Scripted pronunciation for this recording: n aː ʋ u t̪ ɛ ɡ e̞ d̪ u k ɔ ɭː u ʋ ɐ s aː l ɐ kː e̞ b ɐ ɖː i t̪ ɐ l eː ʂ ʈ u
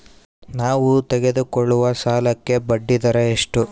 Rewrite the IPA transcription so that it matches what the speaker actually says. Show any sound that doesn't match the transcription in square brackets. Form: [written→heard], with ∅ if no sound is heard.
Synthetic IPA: n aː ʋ u t̪ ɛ ɡ e̞ d̪ u k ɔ ɭː u ʋ ɐ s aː l ɐ kː e̞ b ɐ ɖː i [t̪→d̪] ɐ [l→ɾ] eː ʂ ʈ u